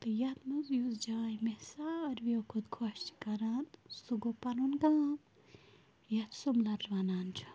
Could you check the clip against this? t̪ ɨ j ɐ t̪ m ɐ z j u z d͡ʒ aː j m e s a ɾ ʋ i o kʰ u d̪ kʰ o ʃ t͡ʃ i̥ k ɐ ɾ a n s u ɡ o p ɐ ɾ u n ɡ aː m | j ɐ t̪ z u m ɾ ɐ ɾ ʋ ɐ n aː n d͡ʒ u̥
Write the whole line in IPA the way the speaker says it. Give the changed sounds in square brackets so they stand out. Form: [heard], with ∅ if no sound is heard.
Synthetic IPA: t̪ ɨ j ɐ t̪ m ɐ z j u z d͡ʒ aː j m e s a ɾ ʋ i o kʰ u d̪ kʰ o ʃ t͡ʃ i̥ k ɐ ɾ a n s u ɡ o p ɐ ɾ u n ɡ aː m | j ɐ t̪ [s] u m [l] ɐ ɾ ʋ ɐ n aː n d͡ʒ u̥